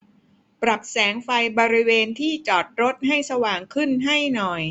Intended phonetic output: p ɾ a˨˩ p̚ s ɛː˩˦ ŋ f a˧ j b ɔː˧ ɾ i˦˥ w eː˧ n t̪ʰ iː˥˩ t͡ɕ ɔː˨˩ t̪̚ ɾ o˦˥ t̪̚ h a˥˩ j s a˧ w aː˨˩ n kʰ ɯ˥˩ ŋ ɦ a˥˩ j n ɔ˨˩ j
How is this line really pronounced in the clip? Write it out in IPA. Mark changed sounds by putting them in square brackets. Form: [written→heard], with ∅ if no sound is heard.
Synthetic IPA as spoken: p ɾ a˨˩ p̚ s ɛː˩˦ ŋ f a˧ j b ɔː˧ ɾ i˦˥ w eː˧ n t̪ʰ iː˥˩ t͡ɕ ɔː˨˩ t̪̚ ɾ o˦˥ t̪̚ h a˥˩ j s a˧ w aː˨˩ [n→ŋ] kʰ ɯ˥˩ [ŋ→n] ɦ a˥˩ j n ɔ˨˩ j